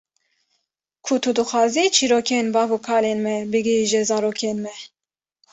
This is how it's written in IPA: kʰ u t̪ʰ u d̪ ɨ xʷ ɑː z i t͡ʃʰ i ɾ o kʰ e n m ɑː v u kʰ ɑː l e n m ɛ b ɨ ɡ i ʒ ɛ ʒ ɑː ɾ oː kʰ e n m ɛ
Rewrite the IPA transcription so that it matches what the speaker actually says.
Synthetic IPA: kʰ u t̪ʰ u d̪ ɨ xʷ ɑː z i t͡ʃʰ i ɾ o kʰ e n b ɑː v u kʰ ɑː l e n m ɛ b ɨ ɡ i ʒ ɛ z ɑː ɾ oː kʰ e n m ɛ